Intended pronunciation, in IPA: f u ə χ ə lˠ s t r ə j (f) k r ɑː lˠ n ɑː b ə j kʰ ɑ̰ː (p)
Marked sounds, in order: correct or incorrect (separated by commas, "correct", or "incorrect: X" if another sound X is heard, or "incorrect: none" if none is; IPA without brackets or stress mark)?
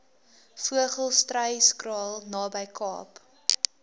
incorrect: s, correct